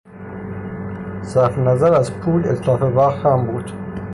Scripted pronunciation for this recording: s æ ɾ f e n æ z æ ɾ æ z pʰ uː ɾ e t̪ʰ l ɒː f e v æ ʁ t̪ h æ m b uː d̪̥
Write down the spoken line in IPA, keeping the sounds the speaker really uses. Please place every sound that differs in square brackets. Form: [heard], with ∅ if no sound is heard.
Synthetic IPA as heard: s æ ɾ f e n æ z æ ɾ æ z pʰ uː [l] e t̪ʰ l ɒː f e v æ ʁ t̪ h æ m b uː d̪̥